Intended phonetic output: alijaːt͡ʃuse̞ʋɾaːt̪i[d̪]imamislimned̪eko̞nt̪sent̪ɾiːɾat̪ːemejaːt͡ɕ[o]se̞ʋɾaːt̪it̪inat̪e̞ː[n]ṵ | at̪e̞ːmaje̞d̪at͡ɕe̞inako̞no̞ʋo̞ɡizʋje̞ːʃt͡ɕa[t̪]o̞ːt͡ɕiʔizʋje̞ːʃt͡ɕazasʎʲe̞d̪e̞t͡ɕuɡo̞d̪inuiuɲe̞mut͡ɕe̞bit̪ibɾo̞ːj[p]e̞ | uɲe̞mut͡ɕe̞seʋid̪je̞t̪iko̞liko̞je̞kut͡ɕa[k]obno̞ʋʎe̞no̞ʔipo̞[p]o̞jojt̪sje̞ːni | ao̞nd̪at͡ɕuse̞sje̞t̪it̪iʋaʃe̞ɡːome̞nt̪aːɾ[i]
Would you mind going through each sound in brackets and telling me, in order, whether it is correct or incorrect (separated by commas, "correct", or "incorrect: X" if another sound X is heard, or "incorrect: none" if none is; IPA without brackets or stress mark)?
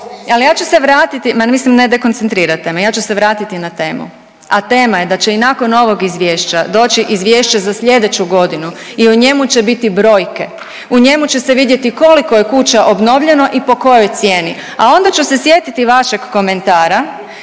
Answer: incorrect: t̪, incorrect: u, incorrect: m, incorrect: d̪, incorrect: k, incorrect: ʔ, incorrect: k, incorrect: a